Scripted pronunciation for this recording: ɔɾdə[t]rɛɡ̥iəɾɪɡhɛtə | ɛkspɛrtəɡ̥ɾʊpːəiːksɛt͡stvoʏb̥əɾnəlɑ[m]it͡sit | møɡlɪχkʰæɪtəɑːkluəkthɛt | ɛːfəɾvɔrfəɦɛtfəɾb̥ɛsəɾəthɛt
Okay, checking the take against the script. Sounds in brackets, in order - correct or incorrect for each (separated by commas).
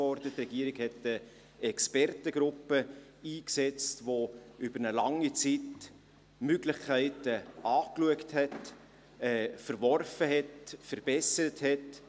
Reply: correct, incorrect